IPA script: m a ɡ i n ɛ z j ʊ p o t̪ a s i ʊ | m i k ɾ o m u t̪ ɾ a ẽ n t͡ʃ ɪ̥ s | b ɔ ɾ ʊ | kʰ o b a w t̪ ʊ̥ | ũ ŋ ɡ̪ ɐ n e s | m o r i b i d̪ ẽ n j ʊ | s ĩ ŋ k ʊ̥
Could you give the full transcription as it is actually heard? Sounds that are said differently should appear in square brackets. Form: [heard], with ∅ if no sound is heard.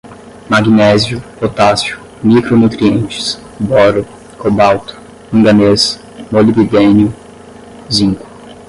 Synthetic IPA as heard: m a ɡ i n ɛ z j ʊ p o t̪ a s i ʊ | m i k ɾ o [n] u t̪ ɾ [i] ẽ n t͡ʃ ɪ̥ s | b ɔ ɾ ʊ | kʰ o b a w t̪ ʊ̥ | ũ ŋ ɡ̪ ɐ n e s | m o [l] i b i d̪ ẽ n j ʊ | [z] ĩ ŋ k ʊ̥